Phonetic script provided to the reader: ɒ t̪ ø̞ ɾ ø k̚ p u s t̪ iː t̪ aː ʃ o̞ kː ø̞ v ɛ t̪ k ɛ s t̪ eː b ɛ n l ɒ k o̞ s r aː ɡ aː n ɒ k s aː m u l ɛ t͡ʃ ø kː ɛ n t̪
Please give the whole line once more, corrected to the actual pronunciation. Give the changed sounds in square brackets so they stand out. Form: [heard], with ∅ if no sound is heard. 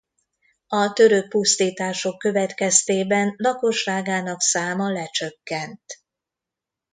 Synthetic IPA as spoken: ɒ t̪ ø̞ ɾ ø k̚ p u s t̪ iː t̪ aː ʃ o̞ kː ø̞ v ɛ t̪ k ɛ s t̪ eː b ɛ n l ɒ k o̞ [ʃ] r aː ɡ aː n ɒ k s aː m [ɒ] l ɛ t͡ʃ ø kː ɛ n t̪